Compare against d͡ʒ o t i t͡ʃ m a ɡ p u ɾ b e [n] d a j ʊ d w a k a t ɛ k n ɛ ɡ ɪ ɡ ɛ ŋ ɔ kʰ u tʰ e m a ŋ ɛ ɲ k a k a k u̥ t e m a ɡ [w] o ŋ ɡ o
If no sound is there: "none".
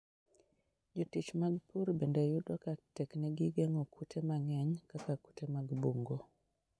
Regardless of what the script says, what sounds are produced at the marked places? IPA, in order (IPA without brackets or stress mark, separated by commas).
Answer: n, b